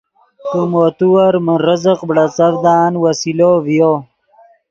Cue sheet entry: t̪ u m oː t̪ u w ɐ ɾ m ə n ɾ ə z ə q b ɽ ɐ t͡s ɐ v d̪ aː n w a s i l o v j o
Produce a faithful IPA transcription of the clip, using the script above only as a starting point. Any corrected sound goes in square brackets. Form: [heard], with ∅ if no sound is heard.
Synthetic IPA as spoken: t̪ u m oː t̪ u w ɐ ɾ m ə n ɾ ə z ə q b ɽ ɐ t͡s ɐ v d̪ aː n w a s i l o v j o